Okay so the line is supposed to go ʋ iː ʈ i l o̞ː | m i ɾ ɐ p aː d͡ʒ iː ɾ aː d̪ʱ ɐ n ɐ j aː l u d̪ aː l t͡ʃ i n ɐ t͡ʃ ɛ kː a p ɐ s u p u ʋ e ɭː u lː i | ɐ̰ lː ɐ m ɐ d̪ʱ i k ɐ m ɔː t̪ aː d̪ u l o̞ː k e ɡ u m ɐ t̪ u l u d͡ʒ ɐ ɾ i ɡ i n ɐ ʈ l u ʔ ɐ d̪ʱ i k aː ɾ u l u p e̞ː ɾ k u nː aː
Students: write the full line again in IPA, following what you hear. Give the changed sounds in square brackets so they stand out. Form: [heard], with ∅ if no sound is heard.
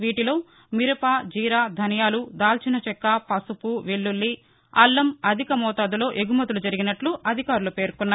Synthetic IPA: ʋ iː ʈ i l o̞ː | m i ɾ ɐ p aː d͡ʒ iː ɾ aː d̪ʱ ɐ n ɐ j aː l u d̪ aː l t͡ʃ i n ɐ t͡ʃ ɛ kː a p ɐ s u p u ʋ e ɭː u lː i | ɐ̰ lː ɐ m ɐ d̪ʱ i k ɐ m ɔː t̪ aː d̪ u l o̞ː [ʔ] e ɡ u m ɐ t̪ u l u d͡ʒ ɐ ɾ i ɡ i n ɐ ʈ l u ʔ ɐ d̪ʱ i k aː ɾ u l u p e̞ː ɾ k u nː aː

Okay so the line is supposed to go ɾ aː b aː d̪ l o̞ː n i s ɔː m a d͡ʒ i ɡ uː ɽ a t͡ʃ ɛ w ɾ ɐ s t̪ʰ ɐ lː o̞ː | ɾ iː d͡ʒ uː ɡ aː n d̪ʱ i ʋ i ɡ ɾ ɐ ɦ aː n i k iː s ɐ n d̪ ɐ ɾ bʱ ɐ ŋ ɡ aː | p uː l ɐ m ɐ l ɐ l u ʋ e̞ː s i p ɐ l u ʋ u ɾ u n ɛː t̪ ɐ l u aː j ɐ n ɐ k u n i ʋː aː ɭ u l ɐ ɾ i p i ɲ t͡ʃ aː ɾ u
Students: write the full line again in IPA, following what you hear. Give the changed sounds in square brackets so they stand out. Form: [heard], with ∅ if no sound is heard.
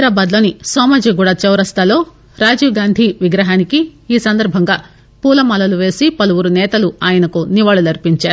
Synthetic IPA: ɾ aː b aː d̪ l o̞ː n i s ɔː m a d͡ʒ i ɡ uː ɽ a t͡ʃ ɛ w ɾ ɐ s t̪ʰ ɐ [l] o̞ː | ɾ [aː] d͡ʒ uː ɡ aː n d̪ʱ i ʋ i ɡ ɾ ɐ ɦ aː n i k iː s ɐ n d̪ ɐ ɾ bʱ ɐ ŋ ɡ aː | p uː l ɐ m ɐ l ɐ l u ʋ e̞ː s i p ɐ l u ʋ u ɾ u n ɛː t̪ ɐ l u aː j ɐ n ɐ k u n i [ʋ] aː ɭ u l ɐ ɾ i p i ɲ t͡ʃ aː ɾ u

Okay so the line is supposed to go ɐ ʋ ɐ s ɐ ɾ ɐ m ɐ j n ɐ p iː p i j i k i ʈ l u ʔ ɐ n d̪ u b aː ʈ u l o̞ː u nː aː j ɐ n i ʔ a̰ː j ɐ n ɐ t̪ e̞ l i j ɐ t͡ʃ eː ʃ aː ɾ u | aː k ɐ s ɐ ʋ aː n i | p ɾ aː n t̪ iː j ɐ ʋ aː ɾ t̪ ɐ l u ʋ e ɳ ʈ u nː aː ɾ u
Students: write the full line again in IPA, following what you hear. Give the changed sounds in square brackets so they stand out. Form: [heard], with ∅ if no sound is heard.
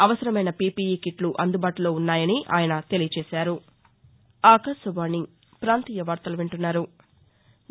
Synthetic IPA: ɐ ʋ ɐ s ɐ ɾ ɐ m ɐ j n ɐ p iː p i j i k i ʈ l u ʔ ɐ n d̪ u b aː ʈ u l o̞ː u nː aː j ɐ n i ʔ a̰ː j ɐ n ɐ t̪ e̞ l i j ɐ t͡ʃ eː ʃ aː ɾ u | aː k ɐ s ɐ ʋ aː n i | p ɾ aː n t̪ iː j ɐ ʋ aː ɾ t̪ ɐ l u ʋ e ɳ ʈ u nː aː ɾ u

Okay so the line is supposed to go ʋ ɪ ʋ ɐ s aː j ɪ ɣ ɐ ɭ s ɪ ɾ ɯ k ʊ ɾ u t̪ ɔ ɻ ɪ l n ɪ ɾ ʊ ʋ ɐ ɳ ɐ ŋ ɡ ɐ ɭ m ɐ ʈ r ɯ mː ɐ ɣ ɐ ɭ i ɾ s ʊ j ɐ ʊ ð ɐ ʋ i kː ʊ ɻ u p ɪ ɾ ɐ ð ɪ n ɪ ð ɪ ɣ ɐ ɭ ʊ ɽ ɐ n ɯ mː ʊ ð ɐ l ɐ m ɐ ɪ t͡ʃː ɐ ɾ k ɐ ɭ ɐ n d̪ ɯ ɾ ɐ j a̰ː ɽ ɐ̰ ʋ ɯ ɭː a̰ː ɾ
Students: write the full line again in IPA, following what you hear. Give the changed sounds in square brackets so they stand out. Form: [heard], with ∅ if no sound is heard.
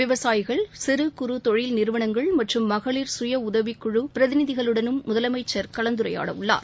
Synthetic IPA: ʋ ɪ ʋ ɐ s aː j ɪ ɣ ɐ ɭ s ɪ ɾ ɯ k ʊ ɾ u t̪ ɔ ɻ ɪ l n ɪ ɾ [ɯ] ʋ ɐ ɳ ɐ ŋ ɡ ɐ ɭ m ɐ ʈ r ɯ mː ɐ ɣ ɐ ɭ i ɾ s ʊ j ɐ ʊ ð ɐ ʋ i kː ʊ ɻ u p ɪ ɾ ɐ ð ɪ n ɪ ð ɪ ɣ ɐ ɭ [ɯ] ɽ ɐ n ɯ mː ʊ ð ɐ l ɐ m ɐ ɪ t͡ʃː ɐ ɾ k ɐ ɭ ɐ n d̪ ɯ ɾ ɐ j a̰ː ɽ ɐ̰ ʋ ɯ ɭː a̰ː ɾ

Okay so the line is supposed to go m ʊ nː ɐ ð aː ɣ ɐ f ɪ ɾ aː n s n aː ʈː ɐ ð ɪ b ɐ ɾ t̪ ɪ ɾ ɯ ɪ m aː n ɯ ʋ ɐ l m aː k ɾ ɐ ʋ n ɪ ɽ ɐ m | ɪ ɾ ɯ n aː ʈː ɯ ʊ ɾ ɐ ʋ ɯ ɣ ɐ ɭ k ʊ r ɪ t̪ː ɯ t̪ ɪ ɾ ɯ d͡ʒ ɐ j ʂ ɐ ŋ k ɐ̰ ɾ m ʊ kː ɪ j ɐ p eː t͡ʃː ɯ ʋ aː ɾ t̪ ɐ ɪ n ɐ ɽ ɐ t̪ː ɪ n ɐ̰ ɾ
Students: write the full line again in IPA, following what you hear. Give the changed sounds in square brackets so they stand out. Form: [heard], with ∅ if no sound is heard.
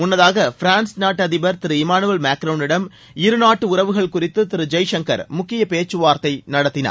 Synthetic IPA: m ʊ nː ɐ ð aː ɣ ɐ f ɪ ɾ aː n s n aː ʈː ɐ ð ɪ b ɐ ɾ t̪ ɪ ɾ ɯ ɪ m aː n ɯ ʋ ɐ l m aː k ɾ ɐ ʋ n ɪ ɽ ɐ m | ɪ ɾ ɯ n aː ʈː ɯ ʊ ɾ ɐ ʋ ɯ ɣ ɐ ɭ k ʊ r ɪ t̪ː ɯ t̪ ɪ ɾ ɯ d͡ʒ ɐ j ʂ ɐ ŋ k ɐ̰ ɾ m ʊ kː ɪ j ɐ p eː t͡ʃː ɯ ʋ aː ɾ t̪ ɐ ɪ n ɐ ɽ ɐ t̪ː ɪ n ɐ̰ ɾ

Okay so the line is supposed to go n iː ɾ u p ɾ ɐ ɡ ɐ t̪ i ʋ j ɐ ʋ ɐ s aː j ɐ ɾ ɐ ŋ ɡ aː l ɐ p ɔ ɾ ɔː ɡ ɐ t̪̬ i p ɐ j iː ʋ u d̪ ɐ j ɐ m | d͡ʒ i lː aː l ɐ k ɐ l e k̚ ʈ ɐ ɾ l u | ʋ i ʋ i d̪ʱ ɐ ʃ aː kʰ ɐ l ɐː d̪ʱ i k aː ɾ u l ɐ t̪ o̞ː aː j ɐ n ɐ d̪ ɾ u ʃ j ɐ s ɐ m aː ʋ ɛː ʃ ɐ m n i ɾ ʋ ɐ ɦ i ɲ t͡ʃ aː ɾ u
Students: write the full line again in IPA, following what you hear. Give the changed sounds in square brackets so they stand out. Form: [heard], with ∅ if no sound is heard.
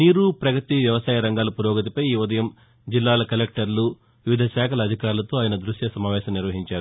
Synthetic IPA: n iː ɾ u p ɾ ɐ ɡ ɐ t̪ i ʋ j ɐ ʋ ɐ s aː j ɐ ɾ ɐ ŋ ɡ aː l ɐ p [u] ɾ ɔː ɡ ɐ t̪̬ i p ɐ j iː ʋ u d̪ ɐ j ɐ m | d͡ʒ i lː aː l ɐ k ɐ l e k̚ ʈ ɐ ɾ l u | ʋ i ʋ i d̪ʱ ɐ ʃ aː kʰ ɐ l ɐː d̪ʱ i k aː ɾ u l ɐ t̪ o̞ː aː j ɐ n ɐ d̪ ɾ u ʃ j ɐ s ɐ m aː ʋ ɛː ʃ ɐ m n i ɾ ʋ ɐ ɦ i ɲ t͡ʃ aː ɾ u

